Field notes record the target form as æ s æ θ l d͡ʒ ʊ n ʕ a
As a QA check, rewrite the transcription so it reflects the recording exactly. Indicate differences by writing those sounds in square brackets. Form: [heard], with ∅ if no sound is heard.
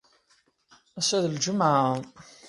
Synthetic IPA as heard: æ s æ [ð] l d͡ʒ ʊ [m] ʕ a